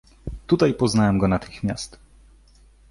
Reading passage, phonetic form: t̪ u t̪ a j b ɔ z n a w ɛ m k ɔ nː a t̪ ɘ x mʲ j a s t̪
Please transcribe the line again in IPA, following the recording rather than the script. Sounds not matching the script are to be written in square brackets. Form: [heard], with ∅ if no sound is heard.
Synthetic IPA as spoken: t̪ u t̪ a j [p] ɔ z n a w ɛ m [ɡ] ɔ [n] a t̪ ɘ x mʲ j a s t̪

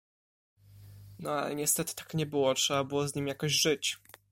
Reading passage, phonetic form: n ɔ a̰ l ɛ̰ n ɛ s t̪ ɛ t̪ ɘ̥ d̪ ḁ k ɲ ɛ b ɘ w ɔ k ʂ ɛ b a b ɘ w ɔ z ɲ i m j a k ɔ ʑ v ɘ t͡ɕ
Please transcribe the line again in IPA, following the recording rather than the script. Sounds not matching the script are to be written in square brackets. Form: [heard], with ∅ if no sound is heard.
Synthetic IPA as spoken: n ɔ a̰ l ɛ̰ [ɲ] ɛ s t̪ ɛ t̪ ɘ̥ [t̪] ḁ k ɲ ɛ b ɘ w ɔ [t] ʂ ɛ b a b ɘ w ɔ z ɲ i m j a k ɔ ʑ [ʐ] ɘ t͡ɕ

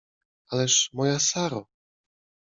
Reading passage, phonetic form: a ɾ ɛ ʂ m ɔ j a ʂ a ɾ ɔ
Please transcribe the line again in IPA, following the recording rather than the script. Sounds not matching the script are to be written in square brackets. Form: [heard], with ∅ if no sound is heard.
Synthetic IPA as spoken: a [l] ɛ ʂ m ɔ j a [s] a ɾ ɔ

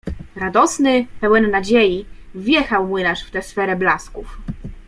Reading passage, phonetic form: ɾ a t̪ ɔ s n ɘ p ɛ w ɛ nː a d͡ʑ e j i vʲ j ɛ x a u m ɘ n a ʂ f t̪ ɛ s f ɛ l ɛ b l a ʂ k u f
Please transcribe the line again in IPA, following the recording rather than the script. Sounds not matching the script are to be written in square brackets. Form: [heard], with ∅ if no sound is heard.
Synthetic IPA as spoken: ɾ a [d̪] ɔ s n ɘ p ɛ w ɛ nː a d͡ʑ e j i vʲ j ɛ x a [w] m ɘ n a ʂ f t̪ ɛ s f ɛ [ɾ] ɛ b l a [s] k u f

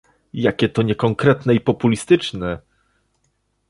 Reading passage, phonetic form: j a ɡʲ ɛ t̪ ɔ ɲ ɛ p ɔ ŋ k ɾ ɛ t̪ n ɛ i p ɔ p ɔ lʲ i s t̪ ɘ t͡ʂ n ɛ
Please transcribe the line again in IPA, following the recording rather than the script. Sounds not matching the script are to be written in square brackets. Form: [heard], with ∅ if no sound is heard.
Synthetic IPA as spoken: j a [kʲ] ɛ t̪ ɔ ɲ ɛ [k] ɔ ŋ k ɾ ɛ t̪ n ɛ i p ɔ p [u] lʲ i s t̪ ɘ t͡ʂ n ɛ

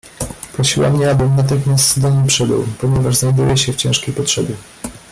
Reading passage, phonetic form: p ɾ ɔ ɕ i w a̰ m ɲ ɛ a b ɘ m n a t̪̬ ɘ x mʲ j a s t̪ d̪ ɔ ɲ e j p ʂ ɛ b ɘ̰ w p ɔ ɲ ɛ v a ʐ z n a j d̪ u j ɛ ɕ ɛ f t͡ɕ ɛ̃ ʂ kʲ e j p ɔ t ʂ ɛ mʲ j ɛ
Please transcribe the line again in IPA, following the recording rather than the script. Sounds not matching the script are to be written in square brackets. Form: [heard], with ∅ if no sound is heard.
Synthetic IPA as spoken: p ɾ ɔ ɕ i w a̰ m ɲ ɛ a b ɘ m n a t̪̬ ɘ x mʲ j a s t̪ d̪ ɔ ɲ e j p ʂ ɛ b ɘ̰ w p ɔ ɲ ɛ v a ʐ z n a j d̪ u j ɛ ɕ ɛ f t͡ɕ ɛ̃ ʂ kʲ e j p ɔ t ʂ ɛ [bʲ] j ɛ

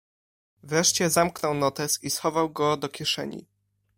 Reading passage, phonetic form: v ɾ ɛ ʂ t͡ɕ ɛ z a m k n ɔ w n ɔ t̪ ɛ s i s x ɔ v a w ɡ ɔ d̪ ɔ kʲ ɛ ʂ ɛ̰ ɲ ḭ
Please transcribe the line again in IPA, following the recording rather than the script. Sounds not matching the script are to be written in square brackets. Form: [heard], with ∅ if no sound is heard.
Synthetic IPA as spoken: v ɾ ɛ ʂ t͡ɕ ɛ z a m k n ɔ w n ɔ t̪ ɛ s i s x ɔ v a w ɡ ɔ d̪ ɔ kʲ ɛ ʂ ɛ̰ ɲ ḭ

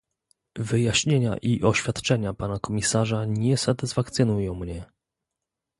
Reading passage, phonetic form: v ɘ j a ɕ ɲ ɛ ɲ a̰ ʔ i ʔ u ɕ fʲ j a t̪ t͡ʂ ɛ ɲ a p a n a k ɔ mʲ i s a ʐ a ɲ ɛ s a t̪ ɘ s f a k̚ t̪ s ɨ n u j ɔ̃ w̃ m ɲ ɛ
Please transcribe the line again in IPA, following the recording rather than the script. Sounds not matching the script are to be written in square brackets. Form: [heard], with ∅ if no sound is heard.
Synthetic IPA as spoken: v ɘ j a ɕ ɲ [e] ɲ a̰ ʔ i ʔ [ɔ] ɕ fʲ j a t̪ t͡ʂ ɛ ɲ a p a n a k ɔ mʲ i s a ʐ a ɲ ɛ s a t̪ ɘ s f a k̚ t̪ s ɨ n u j ɔ̃ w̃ m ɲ ɛ

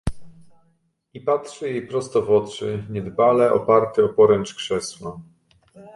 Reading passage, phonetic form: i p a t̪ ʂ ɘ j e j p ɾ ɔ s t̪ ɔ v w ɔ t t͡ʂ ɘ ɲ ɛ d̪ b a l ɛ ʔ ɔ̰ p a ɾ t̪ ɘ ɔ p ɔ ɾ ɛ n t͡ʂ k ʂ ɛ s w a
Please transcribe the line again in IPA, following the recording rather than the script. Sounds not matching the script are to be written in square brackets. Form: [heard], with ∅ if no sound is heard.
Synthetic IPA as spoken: i p a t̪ ʂ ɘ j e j p ɾ ɔ s t̪ ɔ v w ɔ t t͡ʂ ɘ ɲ ɛ d̪ b a l ɛ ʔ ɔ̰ p a ɾ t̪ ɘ ɔ p ɔ ɾ ɛ n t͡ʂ k ʂ ɛ s w a

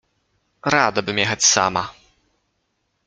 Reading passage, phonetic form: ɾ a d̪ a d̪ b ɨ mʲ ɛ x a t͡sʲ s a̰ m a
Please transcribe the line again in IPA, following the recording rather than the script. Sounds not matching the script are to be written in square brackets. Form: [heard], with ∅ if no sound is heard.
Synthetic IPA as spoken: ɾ a d̪ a [∅] b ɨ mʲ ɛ x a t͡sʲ s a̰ m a

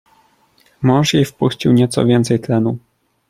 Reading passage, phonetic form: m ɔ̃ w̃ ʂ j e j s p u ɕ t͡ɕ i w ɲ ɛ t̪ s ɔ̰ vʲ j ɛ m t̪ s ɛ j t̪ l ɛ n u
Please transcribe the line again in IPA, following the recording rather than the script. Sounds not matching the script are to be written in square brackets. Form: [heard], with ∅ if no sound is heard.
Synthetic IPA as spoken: m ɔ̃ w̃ ʂ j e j [f] p u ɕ t͡ɕ i w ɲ ɛ t̪ s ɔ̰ vʲ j ɛ [n] t̪ s ɛ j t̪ l ɛ n u

